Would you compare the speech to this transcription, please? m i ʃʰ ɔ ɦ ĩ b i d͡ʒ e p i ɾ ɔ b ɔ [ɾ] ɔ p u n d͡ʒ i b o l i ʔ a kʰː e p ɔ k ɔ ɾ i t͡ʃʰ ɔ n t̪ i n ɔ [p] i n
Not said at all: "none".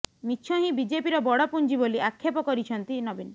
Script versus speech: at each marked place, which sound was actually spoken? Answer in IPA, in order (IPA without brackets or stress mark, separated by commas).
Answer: ɽ, b